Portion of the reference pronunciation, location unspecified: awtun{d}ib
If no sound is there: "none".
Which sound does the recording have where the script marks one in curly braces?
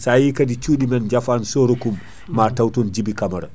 d͡ʒ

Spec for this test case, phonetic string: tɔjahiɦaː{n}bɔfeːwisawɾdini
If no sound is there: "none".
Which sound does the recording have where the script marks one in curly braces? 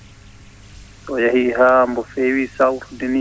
m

